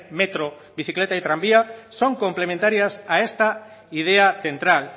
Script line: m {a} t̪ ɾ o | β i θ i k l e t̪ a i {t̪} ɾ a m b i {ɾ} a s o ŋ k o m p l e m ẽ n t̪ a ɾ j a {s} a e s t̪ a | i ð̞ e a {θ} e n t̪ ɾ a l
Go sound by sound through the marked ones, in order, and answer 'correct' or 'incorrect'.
incorrect, correct, incorrect, correct, correct

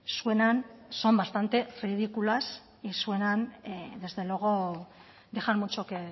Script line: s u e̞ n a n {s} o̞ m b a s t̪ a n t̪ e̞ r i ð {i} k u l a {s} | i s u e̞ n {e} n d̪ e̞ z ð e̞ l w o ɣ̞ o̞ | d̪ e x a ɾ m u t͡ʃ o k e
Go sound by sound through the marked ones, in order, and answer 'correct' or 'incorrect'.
correct, correct, correct, incorrect

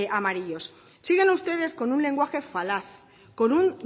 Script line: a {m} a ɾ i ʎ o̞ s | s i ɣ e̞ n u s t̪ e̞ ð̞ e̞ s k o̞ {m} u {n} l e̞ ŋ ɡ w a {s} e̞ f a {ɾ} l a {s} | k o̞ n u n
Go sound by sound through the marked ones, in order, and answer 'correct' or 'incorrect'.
correct, incorrect, correct, incorrect, incorrect, incorrect

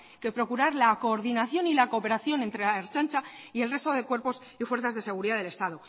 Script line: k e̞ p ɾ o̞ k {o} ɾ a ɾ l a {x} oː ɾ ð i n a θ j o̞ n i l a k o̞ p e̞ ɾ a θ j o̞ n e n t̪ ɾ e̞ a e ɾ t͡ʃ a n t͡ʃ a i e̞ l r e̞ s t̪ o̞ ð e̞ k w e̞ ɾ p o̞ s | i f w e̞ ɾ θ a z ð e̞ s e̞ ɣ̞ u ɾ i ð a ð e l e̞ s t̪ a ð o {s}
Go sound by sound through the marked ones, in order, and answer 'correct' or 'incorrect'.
incorrect, incorrect, incorrect

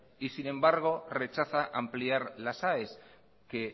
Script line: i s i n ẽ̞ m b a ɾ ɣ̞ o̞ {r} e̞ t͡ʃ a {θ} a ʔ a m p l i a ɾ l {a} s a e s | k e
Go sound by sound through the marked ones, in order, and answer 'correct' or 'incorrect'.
correct, correct, correct

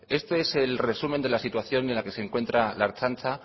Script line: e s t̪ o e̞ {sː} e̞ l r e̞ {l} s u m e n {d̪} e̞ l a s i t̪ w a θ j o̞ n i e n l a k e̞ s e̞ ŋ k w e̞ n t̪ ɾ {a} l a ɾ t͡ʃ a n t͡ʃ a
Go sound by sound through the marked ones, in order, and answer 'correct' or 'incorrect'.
incorrect, incorrect, correct, correct

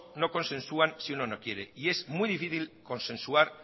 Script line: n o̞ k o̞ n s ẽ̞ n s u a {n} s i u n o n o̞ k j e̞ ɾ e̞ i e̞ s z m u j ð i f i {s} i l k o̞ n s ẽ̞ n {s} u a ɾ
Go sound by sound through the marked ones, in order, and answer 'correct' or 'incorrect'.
correct, incorrect, correct

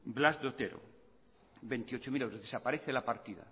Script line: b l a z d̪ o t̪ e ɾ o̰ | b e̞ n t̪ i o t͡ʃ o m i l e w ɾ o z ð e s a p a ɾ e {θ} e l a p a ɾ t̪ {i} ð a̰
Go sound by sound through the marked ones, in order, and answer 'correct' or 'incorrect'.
correct, correct

